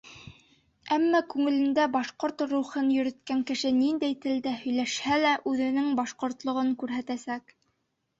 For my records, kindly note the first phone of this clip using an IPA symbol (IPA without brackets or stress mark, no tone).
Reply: æ